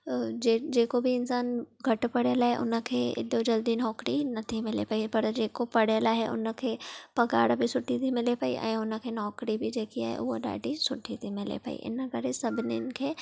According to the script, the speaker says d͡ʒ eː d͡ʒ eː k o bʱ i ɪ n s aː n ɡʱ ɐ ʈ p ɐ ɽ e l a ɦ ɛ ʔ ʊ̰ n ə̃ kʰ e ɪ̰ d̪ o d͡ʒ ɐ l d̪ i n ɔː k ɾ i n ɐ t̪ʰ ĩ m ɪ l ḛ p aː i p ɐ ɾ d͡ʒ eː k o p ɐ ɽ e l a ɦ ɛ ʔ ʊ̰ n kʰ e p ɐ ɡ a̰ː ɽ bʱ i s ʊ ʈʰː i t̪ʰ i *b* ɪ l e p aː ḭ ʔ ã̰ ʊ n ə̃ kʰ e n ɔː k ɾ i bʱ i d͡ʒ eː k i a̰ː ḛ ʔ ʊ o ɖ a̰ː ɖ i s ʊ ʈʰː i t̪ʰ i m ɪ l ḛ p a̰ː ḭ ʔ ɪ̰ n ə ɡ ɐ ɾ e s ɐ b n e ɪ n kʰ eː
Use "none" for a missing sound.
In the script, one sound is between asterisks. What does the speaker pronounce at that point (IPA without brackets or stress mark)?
m